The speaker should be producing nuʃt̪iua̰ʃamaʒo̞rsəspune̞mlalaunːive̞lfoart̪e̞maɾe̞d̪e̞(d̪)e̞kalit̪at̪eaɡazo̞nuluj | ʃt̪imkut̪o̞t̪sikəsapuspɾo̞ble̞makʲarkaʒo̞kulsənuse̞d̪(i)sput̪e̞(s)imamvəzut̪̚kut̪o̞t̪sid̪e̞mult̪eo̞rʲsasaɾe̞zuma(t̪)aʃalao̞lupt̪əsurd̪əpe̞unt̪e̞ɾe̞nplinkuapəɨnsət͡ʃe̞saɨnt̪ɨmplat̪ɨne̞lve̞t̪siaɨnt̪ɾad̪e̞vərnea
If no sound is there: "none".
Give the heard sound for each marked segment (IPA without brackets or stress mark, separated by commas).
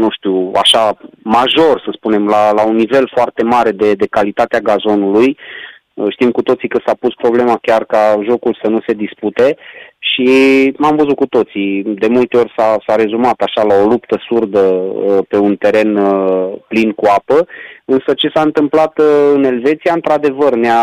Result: d̪, i, ʃ, t̪